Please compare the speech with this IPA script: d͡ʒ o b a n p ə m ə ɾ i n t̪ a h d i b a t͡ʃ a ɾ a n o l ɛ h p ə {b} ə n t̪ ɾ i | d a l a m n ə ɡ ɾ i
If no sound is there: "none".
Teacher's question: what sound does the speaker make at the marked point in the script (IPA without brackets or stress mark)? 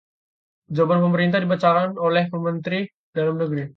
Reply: m